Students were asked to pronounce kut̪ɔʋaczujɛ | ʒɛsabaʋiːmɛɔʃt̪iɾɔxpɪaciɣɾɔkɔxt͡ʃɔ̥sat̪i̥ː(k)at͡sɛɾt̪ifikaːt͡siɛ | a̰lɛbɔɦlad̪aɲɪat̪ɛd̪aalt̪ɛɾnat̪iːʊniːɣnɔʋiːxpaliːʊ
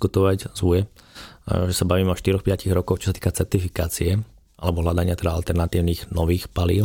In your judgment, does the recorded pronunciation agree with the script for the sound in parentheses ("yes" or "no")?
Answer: yes